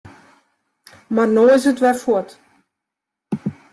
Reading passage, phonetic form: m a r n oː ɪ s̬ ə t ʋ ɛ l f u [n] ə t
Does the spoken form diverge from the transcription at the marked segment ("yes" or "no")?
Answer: yes